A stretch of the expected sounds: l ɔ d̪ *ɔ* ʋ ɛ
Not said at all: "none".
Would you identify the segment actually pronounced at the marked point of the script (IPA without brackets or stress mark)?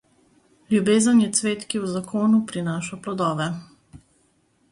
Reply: ɔː